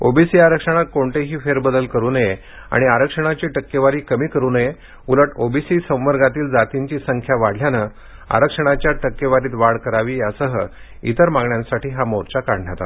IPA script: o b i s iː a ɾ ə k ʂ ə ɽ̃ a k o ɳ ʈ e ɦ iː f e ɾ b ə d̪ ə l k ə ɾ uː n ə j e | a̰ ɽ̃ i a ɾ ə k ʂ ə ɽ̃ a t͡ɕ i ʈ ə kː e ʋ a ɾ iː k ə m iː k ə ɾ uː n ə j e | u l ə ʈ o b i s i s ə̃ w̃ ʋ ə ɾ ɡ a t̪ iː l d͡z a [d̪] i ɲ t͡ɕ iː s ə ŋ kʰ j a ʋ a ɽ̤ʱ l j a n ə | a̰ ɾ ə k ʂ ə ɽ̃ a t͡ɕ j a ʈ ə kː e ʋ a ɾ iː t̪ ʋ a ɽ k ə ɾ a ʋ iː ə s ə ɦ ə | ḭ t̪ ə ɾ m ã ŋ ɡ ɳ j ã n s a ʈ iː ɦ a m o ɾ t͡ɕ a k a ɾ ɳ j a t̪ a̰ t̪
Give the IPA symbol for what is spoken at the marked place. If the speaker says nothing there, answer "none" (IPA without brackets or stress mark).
t̪